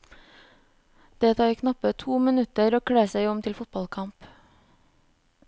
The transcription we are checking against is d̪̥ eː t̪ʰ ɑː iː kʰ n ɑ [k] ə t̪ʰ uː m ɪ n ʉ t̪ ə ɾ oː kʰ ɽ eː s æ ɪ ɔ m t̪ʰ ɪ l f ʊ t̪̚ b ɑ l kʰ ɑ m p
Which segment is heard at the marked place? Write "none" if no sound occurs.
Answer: p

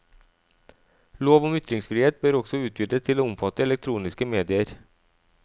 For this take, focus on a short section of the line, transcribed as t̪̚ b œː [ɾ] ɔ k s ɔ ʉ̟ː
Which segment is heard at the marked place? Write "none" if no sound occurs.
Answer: ɾ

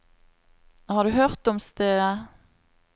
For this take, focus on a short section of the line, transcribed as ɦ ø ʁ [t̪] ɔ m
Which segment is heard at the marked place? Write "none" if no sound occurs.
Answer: t̪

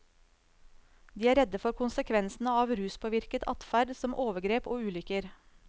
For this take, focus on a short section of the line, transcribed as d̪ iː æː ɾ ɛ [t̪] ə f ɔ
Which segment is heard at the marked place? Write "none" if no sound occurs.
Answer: d̪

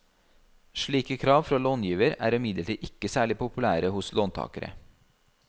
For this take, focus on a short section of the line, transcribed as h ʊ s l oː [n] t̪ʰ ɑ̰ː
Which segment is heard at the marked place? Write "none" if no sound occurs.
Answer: n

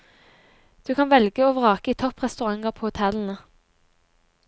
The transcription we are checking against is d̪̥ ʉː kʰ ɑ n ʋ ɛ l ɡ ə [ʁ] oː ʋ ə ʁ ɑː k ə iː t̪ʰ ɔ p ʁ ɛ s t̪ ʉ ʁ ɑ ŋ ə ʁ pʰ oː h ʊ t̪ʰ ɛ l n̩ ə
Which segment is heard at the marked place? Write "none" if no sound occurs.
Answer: none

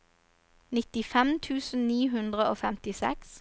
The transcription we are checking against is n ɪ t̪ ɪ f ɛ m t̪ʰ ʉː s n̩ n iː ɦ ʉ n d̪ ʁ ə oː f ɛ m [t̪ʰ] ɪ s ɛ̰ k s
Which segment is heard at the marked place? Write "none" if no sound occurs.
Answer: t̪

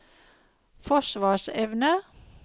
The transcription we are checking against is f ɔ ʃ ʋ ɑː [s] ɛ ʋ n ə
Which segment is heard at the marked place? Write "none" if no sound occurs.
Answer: ʃ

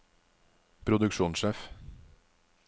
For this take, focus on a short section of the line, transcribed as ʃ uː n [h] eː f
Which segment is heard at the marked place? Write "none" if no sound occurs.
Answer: ʃ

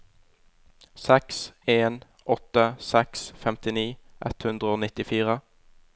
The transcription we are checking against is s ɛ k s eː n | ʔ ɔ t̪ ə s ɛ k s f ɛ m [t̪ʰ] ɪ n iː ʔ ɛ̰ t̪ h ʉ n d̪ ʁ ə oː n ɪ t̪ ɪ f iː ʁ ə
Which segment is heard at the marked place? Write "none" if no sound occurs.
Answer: t̪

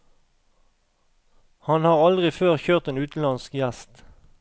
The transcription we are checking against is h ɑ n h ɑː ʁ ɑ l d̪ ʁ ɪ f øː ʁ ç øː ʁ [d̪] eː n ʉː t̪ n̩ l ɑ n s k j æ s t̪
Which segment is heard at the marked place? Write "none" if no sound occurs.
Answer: t̪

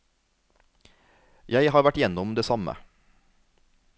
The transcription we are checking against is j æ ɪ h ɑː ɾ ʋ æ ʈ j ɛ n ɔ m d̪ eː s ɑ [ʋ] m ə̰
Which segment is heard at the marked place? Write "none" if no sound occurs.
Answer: none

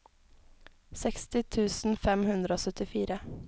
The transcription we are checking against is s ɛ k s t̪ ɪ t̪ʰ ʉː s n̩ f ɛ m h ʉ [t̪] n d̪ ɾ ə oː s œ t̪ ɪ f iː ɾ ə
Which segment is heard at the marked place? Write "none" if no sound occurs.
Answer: none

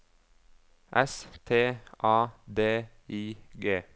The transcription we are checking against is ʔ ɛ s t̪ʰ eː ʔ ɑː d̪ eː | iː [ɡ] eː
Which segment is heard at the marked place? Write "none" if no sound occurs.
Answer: ɡ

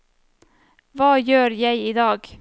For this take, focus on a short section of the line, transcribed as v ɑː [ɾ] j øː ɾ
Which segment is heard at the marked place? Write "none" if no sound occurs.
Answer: none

